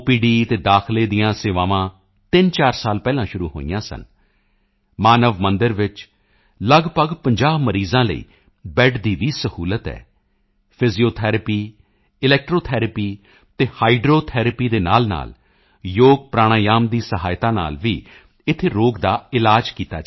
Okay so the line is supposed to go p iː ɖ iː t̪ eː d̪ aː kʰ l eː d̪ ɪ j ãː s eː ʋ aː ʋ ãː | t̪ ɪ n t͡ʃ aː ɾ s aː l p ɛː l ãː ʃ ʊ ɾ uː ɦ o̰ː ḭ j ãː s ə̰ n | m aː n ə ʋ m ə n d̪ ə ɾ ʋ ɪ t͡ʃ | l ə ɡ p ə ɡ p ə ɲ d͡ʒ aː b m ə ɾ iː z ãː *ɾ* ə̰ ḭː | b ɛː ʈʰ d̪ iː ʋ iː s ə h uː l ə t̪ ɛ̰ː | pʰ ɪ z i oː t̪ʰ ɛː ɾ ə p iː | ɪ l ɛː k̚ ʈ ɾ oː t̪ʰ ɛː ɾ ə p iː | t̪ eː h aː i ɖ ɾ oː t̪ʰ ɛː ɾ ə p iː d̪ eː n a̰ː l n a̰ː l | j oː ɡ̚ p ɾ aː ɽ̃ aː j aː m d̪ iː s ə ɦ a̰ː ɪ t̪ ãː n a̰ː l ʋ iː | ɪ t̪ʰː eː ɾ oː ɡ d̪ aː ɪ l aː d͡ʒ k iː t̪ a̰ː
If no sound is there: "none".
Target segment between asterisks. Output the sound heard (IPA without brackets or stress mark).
l